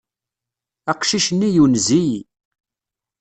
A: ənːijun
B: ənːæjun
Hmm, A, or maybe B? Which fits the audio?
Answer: A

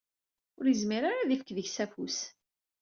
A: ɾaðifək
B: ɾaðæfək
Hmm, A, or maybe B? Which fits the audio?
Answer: A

